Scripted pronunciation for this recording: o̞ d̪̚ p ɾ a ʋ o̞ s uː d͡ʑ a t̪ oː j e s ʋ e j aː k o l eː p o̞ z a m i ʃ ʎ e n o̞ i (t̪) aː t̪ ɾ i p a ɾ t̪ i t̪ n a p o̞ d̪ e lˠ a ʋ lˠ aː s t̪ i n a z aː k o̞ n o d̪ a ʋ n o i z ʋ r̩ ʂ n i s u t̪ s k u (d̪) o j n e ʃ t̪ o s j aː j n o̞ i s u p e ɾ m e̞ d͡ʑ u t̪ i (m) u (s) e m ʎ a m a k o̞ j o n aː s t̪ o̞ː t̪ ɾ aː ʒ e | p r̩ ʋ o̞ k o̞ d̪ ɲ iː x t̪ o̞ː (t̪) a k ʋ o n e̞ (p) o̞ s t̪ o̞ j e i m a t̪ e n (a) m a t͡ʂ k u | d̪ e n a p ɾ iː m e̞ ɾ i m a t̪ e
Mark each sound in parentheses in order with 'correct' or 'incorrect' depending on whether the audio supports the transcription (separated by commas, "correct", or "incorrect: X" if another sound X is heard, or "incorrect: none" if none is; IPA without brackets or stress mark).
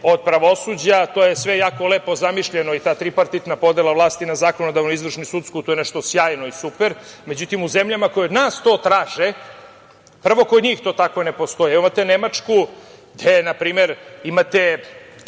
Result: correct, incorrect: t̪, correct, incorrect: z, correct, correct, incorrect: e